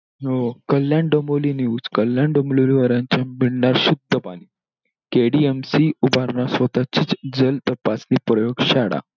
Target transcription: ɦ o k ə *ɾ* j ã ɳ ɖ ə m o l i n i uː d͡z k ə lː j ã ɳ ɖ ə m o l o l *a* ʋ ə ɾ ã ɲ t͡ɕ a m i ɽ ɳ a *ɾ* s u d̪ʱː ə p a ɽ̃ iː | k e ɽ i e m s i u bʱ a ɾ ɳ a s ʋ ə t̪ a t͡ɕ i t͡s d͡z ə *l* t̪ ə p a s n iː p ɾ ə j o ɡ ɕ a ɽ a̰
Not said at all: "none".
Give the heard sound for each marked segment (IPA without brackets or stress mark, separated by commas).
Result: l, i, ɾ, l